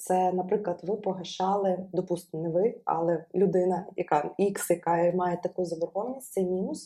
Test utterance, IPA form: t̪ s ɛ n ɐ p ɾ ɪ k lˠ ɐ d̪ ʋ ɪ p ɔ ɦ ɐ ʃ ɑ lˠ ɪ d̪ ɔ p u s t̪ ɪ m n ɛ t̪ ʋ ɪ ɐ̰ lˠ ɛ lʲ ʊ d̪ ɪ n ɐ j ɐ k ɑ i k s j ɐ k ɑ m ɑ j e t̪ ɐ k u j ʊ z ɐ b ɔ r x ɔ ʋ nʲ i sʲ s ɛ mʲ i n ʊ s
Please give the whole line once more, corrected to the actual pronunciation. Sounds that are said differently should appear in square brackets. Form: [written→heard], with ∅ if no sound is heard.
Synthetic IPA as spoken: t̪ s ɛ n ɐ p ɾ ɪ k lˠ ɐ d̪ ʋ ɪ p ɔ ɦ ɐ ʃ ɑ lˠ ɪ d̪ ɔ p u s t̪ ɪ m n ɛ [t̪→∅] ʋ ɪ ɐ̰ lˠ ɛ lʲ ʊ d̪ ɪ n ɐ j ɐ k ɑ i k s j ɐ k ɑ m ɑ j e t̪ ɐ k u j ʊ z ɐ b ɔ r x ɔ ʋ nʲ i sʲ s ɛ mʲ i n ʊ s